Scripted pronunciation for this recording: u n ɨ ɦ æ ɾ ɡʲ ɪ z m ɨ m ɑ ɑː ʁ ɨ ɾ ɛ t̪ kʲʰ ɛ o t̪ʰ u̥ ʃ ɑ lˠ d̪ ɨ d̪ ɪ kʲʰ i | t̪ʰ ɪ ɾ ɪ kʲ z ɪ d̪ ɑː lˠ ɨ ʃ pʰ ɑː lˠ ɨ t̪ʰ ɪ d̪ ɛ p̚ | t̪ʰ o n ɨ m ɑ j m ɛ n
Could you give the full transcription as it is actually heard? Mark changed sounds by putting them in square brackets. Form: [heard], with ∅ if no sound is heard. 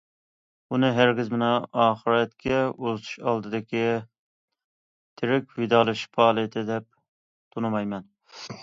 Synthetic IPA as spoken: u n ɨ ɦ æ ɾ ɡʲ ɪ z m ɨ [n] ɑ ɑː [χ] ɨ ɾ ɛ t̪ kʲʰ ɛ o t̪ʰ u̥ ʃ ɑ lˠ d̪ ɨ d̪ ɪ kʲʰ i | t̪ʰ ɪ ɾ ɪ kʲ [v] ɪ d̪ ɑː lˠ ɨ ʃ pʰ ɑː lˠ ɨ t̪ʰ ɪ d̪ ɛ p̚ | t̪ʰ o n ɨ m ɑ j m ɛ n